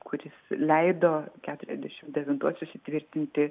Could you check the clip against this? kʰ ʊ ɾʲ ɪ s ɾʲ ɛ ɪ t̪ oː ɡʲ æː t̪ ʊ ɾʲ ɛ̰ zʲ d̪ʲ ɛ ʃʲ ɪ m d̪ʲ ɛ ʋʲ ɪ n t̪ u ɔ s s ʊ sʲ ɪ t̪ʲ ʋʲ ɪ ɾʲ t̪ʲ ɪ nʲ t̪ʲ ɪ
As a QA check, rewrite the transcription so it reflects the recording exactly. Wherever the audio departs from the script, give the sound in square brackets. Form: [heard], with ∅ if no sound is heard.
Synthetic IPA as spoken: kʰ ʊ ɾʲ ɪ s [lʲ] ɛ ɪ [d̪] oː [kʲ] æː t̪ ʊ ɾʲ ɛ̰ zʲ d̪ʲ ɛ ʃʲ ɪ m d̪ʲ ɛ ʋʲ ɪ n t̪ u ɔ s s ʊ sʲ ɪ t̪ʲ ʋʲ ɪ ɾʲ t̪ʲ ɪ nʲ t̪ʲ ɪ